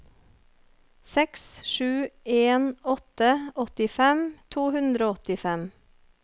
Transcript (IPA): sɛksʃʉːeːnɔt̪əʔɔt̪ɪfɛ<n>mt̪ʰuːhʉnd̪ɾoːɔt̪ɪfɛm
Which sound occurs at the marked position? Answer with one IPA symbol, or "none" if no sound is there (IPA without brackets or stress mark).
none